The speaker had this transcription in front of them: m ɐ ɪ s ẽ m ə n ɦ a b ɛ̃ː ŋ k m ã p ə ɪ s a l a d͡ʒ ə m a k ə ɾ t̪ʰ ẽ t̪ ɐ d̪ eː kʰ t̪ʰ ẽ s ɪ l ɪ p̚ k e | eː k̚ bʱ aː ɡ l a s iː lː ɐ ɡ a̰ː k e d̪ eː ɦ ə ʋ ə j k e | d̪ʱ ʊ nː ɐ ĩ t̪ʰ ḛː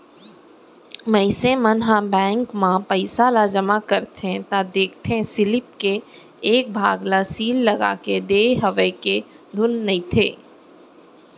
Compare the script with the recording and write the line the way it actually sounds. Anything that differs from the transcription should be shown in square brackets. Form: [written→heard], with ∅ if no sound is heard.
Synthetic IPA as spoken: m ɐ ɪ s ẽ m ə n ɦ a b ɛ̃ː ŋ k m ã p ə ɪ s a l a d͡ʒ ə m a k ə ɾ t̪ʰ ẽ t̪ [ɐ→a] d̪ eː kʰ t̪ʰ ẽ s ɪ l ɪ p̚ k e | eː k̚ bʱ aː ɡ l a s iː lː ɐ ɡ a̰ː k e d̪ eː ɦ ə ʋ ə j k e | d̪ʱ ʊ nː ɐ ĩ t̪ʰ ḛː